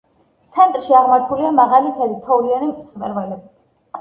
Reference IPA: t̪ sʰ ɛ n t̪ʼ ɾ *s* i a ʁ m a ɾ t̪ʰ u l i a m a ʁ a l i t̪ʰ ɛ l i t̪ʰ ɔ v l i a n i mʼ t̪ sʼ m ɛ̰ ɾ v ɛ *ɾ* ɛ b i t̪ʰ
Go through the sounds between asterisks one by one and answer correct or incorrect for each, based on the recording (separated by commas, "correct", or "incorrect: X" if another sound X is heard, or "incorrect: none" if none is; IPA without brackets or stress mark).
incorrect: ʃ, incorrect: l